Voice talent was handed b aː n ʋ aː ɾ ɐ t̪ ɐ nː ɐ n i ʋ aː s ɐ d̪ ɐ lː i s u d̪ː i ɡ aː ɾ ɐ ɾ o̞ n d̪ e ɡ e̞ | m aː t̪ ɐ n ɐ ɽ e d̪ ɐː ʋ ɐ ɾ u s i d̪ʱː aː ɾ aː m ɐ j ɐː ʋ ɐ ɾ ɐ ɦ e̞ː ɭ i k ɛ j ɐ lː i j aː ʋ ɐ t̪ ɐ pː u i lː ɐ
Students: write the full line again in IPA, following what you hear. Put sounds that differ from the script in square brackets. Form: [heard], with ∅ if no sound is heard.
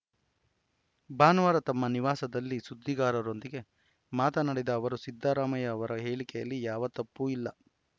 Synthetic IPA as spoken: b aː n ʋ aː ɾ ɐ t̪ ɐ [mː] ɐ n i ʋ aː s ɐ d̪ ɐ lː i s u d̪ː i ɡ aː ɾ ɐ ɾ o̞ n d̪ [i] ɡ e̞ | m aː t̪ ɐ n ɐ ɽ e d̪ ɐː ʋ ɐ ɾ u s i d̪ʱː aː ɾ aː m ɐ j ɐː ʋ ɐ ɾ ɐ ɦ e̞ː ɭ i k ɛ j ɐ lː i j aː ʋ ɐ t̪ ɐ pː u i lː ɐ